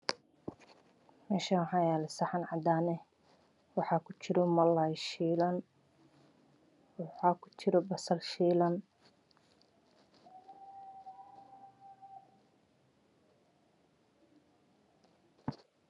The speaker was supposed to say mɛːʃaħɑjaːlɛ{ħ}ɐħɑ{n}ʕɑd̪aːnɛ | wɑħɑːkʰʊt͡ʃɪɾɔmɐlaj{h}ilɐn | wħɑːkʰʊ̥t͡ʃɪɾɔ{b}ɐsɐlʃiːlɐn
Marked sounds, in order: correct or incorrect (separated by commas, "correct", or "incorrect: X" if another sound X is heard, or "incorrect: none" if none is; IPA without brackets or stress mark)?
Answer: incorrect: s, correct, incorrect: ʃ, correct